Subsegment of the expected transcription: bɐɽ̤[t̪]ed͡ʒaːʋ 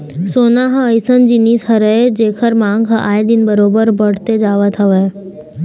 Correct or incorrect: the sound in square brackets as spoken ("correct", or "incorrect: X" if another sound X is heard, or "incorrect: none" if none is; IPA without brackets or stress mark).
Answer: correct